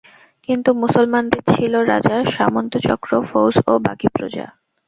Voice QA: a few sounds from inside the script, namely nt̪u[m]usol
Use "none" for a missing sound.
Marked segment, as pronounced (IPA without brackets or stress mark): m